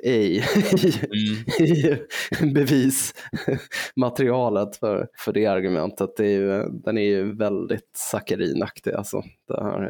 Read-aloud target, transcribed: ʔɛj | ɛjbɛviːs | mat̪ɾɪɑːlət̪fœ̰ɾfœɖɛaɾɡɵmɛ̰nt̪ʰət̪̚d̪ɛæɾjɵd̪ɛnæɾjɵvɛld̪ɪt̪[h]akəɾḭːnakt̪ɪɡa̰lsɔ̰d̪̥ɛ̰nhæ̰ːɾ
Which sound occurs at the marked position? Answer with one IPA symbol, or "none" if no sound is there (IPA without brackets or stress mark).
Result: s